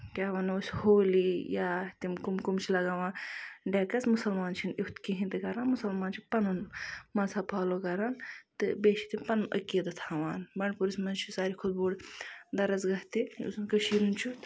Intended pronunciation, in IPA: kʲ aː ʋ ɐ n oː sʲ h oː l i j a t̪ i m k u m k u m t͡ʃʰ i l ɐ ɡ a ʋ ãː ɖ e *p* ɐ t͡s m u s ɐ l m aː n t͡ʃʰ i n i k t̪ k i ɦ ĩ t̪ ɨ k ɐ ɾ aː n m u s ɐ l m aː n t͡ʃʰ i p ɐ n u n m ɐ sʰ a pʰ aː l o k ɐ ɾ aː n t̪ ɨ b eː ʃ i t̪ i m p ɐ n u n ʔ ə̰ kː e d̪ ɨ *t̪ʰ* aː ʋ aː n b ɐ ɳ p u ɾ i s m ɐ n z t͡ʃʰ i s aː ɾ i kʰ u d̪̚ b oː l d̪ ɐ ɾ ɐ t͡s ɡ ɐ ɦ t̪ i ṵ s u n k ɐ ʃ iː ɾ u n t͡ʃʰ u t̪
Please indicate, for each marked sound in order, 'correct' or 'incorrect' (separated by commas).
incorrect, correct